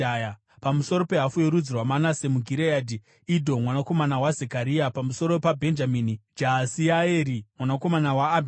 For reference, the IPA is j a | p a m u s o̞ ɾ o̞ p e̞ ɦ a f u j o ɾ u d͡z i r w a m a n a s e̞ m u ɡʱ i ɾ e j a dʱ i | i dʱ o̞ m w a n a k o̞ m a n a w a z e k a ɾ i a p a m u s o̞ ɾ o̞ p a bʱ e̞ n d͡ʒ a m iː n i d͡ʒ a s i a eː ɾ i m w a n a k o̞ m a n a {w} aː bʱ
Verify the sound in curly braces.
correct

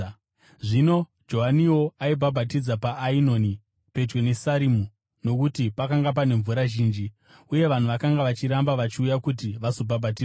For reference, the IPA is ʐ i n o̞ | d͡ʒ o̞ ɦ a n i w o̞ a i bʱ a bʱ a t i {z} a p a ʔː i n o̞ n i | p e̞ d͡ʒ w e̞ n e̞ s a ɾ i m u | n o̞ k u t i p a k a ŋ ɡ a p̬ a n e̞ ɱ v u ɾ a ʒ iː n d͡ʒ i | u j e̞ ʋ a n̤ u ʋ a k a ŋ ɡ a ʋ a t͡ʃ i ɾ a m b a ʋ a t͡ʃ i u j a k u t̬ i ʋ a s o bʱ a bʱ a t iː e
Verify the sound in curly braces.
incorrect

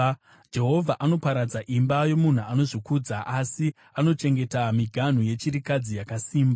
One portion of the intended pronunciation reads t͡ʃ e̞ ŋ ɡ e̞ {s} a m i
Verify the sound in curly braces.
incorrect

